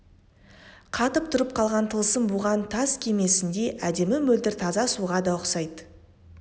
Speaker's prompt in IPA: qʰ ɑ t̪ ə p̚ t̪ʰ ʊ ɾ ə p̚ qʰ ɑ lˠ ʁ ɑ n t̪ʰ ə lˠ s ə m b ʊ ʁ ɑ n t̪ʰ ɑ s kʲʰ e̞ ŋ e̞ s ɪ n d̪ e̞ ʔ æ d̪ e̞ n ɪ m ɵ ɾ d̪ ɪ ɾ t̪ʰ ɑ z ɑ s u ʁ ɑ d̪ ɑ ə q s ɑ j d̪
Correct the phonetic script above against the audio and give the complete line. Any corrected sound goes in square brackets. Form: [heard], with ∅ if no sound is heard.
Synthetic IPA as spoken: qʰ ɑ t̪ ə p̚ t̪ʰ ʊ ɾ ə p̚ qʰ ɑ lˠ ʁ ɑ n t̪ʰ ə lˠ s ə m b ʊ ʁ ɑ n t̪ʰ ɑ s kʲʰ e̞ [m] e̞ s ɪ n d̪ e̞ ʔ æ d̪ e̞ [m] ɪ m ɵ [l] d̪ ɪ ɾ t̪ʰ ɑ z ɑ s u ʁ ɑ d̪ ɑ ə q s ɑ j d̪